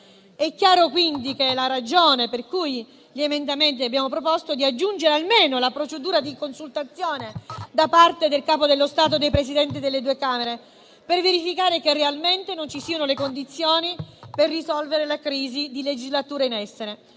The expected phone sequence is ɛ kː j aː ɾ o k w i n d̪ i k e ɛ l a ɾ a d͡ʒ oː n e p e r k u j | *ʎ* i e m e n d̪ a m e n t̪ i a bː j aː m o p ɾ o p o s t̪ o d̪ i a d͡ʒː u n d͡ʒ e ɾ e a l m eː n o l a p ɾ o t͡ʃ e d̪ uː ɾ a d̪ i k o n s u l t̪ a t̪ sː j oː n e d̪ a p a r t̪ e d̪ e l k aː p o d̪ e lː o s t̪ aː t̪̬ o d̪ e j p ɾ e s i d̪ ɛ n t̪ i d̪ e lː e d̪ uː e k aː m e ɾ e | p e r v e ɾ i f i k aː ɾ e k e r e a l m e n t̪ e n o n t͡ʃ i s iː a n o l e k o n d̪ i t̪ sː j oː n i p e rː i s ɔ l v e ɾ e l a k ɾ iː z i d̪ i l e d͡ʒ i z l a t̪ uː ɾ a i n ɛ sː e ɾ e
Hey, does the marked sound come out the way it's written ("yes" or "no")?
yes